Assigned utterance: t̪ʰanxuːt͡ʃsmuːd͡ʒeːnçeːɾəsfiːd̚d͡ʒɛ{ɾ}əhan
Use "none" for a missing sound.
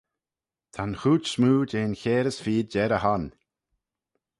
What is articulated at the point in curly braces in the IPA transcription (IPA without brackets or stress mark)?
ɾ